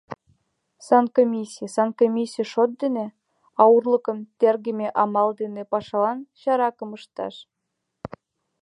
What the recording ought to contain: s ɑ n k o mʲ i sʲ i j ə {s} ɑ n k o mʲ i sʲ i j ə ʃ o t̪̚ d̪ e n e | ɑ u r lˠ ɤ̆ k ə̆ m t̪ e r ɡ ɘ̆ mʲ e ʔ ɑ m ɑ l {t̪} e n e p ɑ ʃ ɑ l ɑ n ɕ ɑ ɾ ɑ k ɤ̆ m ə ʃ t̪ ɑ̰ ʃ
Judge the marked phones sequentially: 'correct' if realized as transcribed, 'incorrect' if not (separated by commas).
correct, incorrect